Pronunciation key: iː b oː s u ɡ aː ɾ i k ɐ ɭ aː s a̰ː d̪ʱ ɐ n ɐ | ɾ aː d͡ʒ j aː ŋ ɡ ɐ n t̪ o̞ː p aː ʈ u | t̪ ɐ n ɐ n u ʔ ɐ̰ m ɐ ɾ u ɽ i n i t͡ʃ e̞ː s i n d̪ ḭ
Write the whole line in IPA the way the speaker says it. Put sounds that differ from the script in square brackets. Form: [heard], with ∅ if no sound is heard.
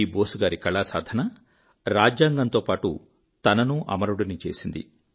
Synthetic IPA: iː b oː s u ɡ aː ɾ i k ɐ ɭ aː s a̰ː d̪ʱ ɐ n ɐ | ɾ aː d͡ʒ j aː ŋ ɡ ɐ n t̪ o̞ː p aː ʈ u | t̪ ɐ n ɐ n u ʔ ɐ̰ m ɐ ɾ u ɽ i n i t͡ʃ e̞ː s i n d̪ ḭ